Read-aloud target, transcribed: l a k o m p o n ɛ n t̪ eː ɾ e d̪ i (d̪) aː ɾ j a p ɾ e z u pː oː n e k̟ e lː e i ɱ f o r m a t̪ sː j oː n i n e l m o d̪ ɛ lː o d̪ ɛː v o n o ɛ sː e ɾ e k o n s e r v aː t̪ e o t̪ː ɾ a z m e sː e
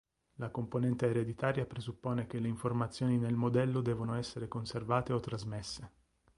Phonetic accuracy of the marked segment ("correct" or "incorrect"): incorrect